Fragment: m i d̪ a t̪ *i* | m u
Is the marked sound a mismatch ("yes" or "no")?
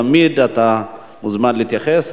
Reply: yes